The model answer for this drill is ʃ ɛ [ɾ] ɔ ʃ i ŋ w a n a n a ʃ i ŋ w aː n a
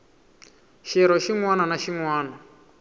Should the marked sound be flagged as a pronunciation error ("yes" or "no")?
no